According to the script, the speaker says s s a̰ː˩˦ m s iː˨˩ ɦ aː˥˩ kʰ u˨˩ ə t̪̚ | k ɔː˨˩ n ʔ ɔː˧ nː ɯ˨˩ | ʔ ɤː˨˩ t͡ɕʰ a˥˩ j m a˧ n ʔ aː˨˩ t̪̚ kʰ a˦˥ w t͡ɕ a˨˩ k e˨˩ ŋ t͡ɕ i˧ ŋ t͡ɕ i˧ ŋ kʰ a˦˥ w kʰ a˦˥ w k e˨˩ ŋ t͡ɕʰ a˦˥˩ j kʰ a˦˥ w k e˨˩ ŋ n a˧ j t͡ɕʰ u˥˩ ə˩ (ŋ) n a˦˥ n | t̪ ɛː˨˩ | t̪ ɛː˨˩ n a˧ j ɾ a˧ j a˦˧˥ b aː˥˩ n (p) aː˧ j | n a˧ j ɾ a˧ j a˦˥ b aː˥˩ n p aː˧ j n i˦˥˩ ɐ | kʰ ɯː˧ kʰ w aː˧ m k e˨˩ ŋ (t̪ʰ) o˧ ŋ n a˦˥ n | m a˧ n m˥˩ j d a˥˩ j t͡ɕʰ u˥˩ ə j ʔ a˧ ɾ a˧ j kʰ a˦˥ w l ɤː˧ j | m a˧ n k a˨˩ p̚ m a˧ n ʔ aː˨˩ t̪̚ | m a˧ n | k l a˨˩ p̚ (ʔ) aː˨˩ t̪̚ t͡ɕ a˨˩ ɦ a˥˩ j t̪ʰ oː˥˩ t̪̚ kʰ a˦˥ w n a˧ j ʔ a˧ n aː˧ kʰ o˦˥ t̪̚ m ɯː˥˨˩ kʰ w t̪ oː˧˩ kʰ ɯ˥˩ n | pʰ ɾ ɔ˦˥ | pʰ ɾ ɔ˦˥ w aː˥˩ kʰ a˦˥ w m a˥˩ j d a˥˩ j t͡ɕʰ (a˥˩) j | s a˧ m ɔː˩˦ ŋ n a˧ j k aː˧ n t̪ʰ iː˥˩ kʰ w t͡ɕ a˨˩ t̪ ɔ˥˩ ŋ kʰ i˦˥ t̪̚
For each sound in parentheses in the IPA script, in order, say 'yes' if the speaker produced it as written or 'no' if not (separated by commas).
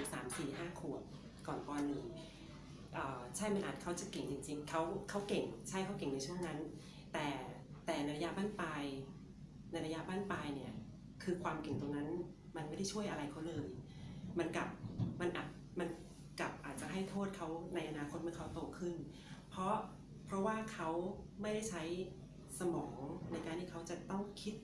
yes, yes, no, yes, no